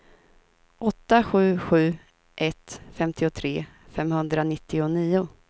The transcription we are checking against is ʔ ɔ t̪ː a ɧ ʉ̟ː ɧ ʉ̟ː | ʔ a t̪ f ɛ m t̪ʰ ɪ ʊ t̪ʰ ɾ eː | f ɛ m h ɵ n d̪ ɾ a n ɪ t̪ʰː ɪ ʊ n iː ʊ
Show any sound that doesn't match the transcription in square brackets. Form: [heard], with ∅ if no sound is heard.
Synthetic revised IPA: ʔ ɔ t̪ː a ɧ ʉ̟ː ɧ ʉ̟ː | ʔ [ɛ] t̪ f ɛ m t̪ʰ ɪ ʊ t̪ʰ ɾ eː | f ɛ m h ɵ n d̪ ɾ a n ɪ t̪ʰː ɪ ʊ n iː ʊ